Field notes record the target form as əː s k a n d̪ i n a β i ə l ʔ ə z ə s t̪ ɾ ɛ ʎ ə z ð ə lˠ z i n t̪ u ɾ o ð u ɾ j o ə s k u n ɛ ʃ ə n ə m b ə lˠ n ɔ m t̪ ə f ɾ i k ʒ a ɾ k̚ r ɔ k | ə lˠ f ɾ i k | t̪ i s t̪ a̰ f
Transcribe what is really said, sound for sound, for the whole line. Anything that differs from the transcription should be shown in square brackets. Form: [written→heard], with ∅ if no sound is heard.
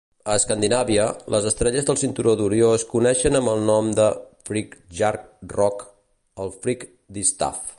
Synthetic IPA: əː s k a n d̪ i n a β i ə l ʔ ə z ə s t̪ ɾ ɛ ʎ ə z ð ə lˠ [z→s] i n t̪ u ɾ o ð u ɾ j o ə s k u n ɛ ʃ ə n ə m b ə lˠ n ɔ m [t̪→d̪] ə f ɾ i k ʒ a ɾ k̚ r ɔ k | ə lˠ f ɾ i k | [t̪→d̪] i s t̪ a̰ f